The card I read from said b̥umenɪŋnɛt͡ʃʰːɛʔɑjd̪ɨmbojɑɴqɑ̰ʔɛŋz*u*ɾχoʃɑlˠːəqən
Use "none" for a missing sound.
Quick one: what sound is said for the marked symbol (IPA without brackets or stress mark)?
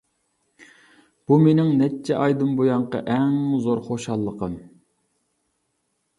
o